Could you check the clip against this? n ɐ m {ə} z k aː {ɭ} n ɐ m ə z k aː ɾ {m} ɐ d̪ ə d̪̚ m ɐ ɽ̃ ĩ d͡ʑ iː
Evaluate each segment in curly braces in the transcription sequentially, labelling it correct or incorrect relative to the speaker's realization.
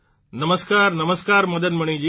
correct, incorrect, correct

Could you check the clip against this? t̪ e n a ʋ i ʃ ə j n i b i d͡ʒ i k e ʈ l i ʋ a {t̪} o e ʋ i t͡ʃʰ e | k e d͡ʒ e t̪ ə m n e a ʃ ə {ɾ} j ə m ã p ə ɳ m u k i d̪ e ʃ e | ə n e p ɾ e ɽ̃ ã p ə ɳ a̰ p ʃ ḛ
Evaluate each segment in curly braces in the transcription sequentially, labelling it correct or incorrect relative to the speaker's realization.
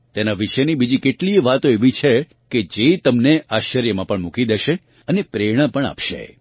correct, correct

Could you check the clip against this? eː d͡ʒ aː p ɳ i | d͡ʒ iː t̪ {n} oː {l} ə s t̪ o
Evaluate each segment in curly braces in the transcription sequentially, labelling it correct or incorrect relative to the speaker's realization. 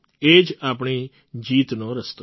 correct, incorrect

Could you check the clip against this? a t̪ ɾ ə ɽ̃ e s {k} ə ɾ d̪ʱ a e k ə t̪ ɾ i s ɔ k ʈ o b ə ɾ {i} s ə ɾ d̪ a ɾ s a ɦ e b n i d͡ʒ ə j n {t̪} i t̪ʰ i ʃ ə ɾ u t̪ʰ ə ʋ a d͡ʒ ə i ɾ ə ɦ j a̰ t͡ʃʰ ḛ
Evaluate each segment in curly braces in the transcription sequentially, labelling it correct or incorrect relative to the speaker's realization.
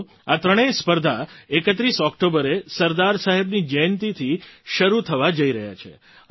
incorrect, incorrect, correct

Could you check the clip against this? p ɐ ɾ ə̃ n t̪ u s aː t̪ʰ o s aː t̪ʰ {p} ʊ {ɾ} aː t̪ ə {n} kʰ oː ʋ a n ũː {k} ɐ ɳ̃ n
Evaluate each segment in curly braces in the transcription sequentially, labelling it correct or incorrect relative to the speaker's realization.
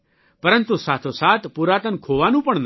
correct, correct, correct, incorrect

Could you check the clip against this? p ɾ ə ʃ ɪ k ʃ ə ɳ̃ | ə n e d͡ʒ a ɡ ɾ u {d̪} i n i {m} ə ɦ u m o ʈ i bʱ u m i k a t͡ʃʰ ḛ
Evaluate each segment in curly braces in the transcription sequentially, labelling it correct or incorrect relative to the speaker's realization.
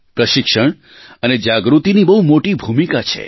incorrect, incorrect

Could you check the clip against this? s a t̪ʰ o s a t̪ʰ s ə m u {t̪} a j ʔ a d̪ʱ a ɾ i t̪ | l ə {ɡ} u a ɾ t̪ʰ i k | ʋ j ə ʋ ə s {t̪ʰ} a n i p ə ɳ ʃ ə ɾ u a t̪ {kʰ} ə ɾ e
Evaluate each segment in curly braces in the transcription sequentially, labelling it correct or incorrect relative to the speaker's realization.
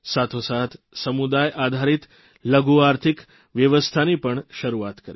incorrect, correct, correct, incorrect

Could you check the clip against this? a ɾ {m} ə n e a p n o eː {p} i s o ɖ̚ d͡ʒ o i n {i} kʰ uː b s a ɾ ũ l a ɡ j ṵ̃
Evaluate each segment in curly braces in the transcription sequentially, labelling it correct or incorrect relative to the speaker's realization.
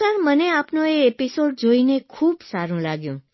correct, correct, incorrect

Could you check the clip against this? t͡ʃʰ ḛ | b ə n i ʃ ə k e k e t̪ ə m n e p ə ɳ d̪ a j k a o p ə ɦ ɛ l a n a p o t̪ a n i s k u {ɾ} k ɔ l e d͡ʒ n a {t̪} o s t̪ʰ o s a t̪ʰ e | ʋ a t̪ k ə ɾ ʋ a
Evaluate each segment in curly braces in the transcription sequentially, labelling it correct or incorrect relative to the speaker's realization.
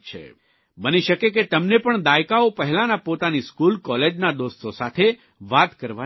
incorrect, incorrect

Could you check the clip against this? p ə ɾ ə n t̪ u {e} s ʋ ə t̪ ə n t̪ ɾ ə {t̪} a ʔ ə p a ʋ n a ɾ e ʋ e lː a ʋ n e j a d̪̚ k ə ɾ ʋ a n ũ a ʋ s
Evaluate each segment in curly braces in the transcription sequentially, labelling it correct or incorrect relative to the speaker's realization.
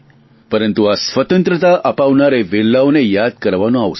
incorrect, correct

